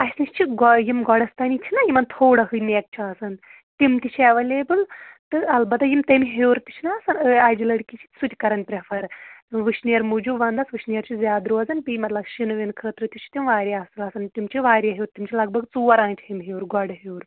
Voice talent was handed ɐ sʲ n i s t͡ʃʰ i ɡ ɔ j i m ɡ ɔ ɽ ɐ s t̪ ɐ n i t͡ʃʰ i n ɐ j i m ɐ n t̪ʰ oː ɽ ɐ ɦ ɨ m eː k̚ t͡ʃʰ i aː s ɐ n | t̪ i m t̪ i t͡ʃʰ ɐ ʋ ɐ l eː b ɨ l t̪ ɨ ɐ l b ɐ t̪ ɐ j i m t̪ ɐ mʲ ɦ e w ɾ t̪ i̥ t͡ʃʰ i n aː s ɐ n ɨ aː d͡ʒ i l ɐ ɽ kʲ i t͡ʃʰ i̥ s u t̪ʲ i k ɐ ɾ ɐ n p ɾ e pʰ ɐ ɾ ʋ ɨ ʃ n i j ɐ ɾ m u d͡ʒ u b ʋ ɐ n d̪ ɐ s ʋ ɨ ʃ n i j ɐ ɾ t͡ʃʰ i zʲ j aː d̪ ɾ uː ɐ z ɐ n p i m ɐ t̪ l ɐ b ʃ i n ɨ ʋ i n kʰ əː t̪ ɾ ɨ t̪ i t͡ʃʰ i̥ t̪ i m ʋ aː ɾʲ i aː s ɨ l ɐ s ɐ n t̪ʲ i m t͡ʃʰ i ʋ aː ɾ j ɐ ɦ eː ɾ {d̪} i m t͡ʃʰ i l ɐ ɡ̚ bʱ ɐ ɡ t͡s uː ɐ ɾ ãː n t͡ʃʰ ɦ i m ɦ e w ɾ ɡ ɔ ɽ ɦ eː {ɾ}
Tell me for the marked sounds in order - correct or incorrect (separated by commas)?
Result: incorrect, correct